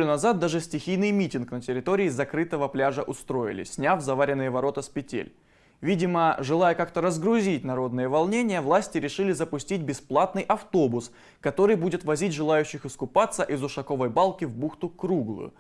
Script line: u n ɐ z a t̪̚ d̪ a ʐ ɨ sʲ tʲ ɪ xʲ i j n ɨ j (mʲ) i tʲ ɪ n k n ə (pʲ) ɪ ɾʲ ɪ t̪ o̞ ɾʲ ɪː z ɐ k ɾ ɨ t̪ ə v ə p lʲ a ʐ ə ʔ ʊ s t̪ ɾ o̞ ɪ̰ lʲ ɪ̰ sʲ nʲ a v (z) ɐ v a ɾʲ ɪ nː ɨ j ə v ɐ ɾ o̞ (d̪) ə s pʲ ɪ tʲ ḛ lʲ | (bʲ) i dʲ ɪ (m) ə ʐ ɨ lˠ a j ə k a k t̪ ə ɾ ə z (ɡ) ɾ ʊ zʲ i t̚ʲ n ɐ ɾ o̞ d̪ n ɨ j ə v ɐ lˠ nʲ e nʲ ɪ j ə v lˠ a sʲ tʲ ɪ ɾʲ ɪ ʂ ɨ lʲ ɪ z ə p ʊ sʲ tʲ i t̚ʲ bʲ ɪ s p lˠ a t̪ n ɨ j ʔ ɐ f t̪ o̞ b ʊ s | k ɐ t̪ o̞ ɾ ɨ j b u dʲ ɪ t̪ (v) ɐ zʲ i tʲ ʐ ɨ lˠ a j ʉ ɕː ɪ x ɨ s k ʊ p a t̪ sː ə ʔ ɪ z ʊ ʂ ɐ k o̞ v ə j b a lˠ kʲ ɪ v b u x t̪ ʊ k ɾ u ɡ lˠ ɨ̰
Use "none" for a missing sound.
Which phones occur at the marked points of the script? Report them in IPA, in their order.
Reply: mʲ, tʲ, z, t̪, vʲ, m, ɡ, v

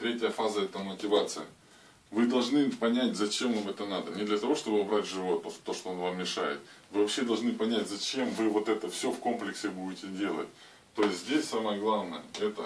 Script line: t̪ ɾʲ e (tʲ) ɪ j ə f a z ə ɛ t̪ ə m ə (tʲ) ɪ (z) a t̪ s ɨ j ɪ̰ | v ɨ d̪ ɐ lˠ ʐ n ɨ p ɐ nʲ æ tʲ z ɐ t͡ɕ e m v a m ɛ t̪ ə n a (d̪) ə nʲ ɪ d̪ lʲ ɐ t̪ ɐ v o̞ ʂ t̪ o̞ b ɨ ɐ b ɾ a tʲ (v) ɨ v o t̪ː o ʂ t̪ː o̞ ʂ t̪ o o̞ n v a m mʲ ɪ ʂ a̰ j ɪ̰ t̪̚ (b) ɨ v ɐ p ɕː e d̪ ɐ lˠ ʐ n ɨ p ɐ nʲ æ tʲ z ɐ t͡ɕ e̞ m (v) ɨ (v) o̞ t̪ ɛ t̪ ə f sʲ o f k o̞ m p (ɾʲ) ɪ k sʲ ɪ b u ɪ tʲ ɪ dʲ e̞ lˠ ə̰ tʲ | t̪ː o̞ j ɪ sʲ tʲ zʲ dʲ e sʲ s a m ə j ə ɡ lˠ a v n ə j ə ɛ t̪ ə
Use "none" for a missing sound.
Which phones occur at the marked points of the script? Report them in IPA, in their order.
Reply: tʲ, tʲ, v, d̪, ʐ, v, v, v, lʲ

